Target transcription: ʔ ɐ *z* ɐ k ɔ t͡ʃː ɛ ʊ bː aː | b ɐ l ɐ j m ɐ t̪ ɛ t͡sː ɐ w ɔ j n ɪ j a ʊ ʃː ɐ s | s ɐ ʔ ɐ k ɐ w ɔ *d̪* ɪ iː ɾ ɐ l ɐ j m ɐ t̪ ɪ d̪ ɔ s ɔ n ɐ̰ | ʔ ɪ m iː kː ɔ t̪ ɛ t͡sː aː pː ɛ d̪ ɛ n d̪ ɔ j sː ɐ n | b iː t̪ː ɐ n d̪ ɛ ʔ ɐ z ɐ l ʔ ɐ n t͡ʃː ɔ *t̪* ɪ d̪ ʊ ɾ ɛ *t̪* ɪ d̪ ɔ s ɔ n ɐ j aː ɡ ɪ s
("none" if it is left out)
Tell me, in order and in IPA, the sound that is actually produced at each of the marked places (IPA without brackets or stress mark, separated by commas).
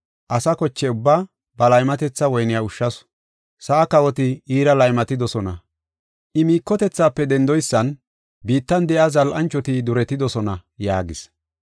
s, t̪, t̪, t̪